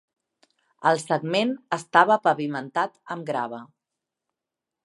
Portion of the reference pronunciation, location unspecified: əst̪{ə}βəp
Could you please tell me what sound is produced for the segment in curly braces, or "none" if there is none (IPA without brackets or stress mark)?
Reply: a